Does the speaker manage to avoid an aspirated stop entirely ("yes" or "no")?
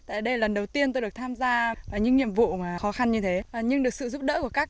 no